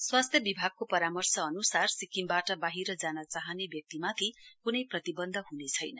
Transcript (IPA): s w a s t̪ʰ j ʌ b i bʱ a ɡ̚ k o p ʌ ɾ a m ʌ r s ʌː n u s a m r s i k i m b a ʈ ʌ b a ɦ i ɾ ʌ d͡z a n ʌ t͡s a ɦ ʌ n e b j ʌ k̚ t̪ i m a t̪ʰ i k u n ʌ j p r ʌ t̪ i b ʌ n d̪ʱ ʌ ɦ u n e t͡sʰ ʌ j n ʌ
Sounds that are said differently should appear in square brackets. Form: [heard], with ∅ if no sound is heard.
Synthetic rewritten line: s w a s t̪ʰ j ʌ b i bʱ a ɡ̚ k o p ʌ ɾ a m ʌ r s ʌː n u s a [∅] r s i k i m b a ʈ ʌ b a ɦ i ɾ ʌ d͡z a n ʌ t͡s a ɦ ʌ n e b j ʌ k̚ t̪ i m a t̪ʰ i k u n ʌ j p r ʌ t̪ i b ʌ n d̪ʱ ʌ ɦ u n e t͡sʰ ʌ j n ʌ

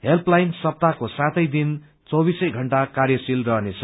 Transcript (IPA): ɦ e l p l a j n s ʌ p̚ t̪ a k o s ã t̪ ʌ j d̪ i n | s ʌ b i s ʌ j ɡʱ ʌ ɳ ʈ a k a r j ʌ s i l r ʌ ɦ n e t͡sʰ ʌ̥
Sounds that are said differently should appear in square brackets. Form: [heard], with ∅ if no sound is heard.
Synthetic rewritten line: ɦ e l p l a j n s ʌ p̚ t̪ a k o s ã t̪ ʌ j d̪ i n | [t͡s] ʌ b i s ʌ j ɡʱ ʌ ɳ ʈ a k a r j ʌ s i l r ʌ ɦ n e t͡sʰ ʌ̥

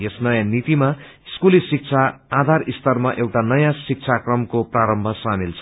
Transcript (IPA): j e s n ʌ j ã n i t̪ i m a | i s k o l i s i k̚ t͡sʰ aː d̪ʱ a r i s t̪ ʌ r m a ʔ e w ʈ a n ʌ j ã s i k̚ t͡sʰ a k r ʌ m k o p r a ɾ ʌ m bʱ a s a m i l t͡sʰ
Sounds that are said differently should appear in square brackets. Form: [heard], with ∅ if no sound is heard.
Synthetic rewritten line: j e s n ʌ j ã n i t̪ i m a | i s k [u] l i s i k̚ t͡sʰ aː d̪ʱ a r i s t̪ ʌ r m a ʔ e w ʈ a n ʌ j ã s i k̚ t͡sʰ a k r ʌ m k o p r a ɾ ʌ m bʱ [ʌ] s a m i l t͡sʰ

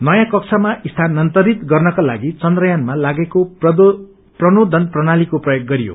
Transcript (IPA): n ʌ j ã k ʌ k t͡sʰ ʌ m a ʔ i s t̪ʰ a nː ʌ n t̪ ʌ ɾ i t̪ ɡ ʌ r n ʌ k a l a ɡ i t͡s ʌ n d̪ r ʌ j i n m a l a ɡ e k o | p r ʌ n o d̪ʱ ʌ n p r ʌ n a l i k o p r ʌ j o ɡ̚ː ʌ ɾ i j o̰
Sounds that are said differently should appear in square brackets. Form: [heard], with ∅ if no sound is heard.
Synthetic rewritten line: n ʌ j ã k ʌ k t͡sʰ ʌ m a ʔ i s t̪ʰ a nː ʌ n t̪ ʌ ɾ i t̪ ɡ ʌ r n ʌ k a l a ɡ i t͡s ʌ n d̪ r ʌ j [a] n m a l a ɡ e k o | p r ʌ n o d̪ʱ ʌ n p r ʌ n a l i k o p r ʌ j o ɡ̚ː ʌ ɾ i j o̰

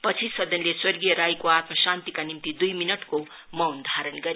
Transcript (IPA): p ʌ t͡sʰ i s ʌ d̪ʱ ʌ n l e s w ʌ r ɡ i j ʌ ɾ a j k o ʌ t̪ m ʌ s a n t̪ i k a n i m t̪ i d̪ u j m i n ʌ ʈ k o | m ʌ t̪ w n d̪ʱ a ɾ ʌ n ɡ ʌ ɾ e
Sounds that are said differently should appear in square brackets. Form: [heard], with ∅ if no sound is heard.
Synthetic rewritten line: p ʌ t͡sʰ i s ʌ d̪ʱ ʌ n l e s w ʌ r ɡ i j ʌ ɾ a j k o [a] t̪ m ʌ s a n t̪ i k a n i m t̪ i d̪ u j m i n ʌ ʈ k o | m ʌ [∅] w n d̪ʱ a ɾ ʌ n ɡ ʌ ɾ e

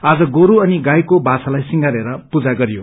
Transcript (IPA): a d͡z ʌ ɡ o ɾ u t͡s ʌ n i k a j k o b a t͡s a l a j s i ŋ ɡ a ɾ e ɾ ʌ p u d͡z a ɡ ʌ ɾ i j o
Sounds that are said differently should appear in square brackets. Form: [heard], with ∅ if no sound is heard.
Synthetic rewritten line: a d͡z ʌ ɡ o ɾ u [∅] ʌ n i [ɡ] a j k o b a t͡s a l a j s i ŋ ɡ a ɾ e ɾ ʌ p u d͡z a ɡ ʌ ɾ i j o

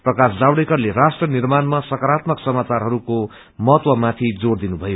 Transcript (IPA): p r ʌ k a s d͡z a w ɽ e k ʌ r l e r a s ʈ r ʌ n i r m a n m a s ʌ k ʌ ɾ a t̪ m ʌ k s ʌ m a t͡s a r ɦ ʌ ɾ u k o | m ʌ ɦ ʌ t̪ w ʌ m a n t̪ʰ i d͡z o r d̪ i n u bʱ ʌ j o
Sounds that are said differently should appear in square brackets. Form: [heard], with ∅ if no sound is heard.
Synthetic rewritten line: p r ʌ k a s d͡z a w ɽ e k ʌ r l e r a s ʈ r ʌ n i r m a n m a s ʌ k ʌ ɾ a t̪ m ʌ k s ʌ m a t͡s a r ɦ ʌ ɾ u k o | m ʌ ɦ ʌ t̪ w ʌ m a [∅] t̪ʰ i d͡z o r d̪ i n u bʱ ʌ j o

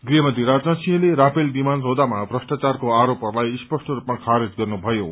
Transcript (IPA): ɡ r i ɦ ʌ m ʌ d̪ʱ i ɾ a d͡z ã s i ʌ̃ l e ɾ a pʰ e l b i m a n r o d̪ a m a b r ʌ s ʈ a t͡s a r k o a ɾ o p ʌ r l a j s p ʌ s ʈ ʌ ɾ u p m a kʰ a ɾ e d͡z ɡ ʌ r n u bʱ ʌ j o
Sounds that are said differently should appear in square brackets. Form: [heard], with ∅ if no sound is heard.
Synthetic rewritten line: ɡ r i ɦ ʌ m ʌ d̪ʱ i ɾ a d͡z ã s i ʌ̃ l e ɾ a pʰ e l b i m a n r o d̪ a m a b r ʌ s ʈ a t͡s a r k o a ɾ o p ʌ r l a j s p ʌ s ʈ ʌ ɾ u p m a kʰ a ɾ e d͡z ɡ ʌ r n u bʱ ʌ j o

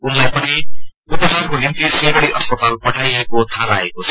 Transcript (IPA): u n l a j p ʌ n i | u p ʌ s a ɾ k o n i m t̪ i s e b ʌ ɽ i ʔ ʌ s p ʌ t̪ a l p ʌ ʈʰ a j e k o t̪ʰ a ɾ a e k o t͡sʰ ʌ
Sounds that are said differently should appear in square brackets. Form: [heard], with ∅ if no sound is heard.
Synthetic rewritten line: u n l a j p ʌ n i | u p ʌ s a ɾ k o n i m t̪ i s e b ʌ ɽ i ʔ ʌ s p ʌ t̪ a l p ʌ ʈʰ a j e k o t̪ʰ a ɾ a e k o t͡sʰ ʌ

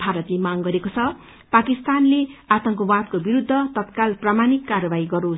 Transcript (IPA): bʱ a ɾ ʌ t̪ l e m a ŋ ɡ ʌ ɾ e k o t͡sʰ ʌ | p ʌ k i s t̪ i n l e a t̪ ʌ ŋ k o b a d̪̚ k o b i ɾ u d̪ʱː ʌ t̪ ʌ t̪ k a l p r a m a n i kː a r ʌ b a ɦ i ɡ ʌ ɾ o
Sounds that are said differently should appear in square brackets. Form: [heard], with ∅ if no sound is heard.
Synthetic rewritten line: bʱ a ɾ ʌ t̪ l e m a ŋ ɡ ʌ ɾ e k o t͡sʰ ʌ | p [a] k i s t̪ [a] n l e a t̪ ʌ ŋ k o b a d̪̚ k o b i ɾ u d̪ʱː ʌ t̪ ʌ t̪ k a l p r a m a n i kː a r ʌ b a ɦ i ɡ ʌ ɾ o

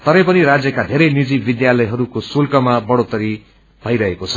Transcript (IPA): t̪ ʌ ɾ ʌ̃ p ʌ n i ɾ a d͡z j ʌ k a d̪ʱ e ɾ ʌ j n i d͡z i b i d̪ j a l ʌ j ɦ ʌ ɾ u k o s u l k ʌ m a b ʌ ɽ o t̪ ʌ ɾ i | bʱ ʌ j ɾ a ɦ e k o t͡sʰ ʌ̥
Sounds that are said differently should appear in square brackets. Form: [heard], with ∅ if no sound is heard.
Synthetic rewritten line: t̪ ʌ ɾ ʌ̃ p ʌ n i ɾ a d͡z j ʌ k a d̪ʱ e ɾ ʌ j n i d͡z i b i d̪ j a l ʌ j ɦ ʌ ɾ u k o s u l k ʌ m a b ʌ ɽ o t̪ ʌ ɾ i | bʱ ʌ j ɾ [ʌ] ɦ e k o t͡sʰ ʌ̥

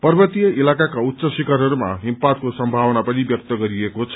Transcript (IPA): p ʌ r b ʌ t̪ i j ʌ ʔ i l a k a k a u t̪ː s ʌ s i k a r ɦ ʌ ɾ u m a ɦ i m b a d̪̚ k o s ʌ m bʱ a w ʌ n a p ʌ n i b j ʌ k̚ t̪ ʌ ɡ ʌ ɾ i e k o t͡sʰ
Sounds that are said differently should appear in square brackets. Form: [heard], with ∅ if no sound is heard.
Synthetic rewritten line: p ʌ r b ʌ t̪ i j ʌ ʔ i l a k a k a u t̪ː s ʌ s i k a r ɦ ʌ ɾ u m a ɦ i m [p] a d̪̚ k o s ʌ m bʱ a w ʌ n a p ʌ n i b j ʌ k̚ t̪ ʌ ɡ ʌ ɾ i e k o t͡sʰ

